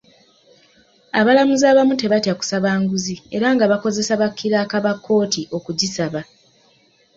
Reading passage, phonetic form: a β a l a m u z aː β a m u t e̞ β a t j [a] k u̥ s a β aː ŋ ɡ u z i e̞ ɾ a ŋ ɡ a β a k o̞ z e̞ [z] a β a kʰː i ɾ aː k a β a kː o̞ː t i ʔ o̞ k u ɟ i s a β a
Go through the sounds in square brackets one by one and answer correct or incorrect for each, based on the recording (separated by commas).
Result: correct, incorrect